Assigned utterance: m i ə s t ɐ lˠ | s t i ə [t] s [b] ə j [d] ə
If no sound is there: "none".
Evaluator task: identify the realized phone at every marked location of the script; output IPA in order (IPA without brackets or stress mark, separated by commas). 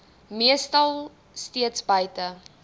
t, b, t